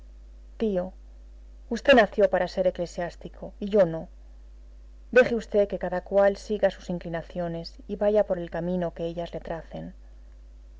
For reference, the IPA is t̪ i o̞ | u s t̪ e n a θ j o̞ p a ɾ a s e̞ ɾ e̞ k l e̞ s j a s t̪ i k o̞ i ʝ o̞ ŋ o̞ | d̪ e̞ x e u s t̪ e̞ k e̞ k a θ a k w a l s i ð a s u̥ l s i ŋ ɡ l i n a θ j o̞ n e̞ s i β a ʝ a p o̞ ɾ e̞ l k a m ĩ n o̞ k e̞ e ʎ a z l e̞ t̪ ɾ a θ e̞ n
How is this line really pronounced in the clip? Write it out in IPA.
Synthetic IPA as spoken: t̪ i o̞ | u s t̪ e n a θ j o̞ p a ɾ a s e̞ ɾ e̞ k l e̞ s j a s t̪ i k o̞ i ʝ o̞ n o̞ | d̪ e̞ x e u s t̪ e̞ k e̞ k a ð a k w a l s i ɣ a s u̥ s i ŋ k l i n a θ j o̞ n e̞ s i β a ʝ a p o̞ ɾ e̞ l k a m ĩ n o̞ k e̞ e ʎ a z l e̞ t̪ ɾ a θ e̞ n